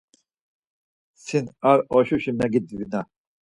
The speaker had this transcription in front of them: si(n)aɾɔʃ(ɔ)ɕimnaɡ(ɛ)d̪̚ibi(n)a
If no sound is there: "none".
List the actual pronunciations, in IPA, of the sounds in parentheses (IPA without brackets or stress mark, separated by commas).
n, u, i, n